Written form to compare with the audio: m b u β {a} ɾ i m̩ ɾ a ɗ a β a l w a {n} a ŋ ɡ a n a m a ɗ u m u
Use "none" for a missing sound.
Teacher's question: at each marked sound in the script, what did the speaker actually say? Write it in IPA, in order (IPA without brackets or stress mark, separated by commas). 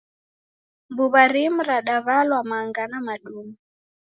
a, m